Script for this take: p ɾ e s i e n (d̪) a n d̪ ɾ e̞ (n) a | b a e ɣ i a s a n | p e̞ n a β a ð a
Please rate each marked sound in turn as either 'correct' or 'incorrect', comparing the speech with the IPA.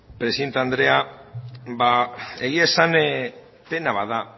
incorrect, incorrect

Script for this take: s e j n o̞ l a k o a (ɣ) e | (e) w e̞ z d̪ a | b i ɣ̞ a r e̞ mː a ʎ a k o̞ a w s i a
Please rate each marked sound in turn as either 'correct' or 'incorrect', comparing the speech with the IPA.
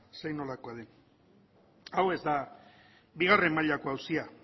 incorrect, incorrect

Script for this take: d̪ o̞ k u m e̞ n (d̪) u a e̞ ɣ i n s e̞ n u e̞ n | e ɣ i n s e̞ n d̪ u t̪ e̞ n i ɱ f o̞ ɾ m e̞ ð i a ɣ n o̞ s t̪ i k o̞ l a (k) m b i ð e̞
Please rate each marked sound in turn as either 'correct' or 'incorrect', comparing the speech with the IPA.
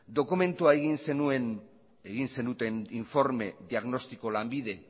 incorrect, incorrect

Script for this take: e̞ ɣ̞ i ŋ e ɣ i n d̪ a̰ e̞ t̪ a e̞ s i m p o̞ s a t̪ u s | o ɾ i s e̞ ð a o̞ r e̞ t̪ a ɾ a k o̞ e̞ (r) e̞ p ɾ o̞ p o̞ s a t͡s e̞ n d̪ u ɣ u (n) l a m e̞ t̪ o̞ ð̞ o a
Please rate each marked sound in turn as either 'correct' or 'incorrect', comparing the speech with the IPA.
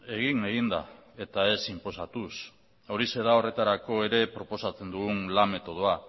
incorrect, correct

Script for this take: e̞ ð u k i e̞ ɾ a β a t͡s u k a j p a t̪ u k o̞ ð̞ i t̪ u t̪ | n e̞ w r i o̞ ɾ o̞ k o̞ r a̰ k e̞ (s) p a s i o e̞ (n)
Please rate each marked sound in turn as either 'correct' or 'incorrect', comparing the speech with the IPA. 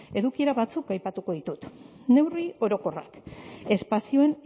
correct, correct

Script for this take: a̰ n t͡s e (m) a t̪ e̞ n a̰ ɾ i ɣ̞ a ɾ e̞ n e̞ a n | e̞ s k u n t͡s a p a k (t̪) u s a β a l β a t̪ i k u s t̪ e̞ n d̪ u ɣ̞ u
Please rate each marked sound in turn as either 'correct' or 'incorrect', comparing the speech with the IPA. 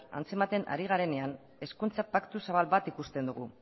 correct, correct

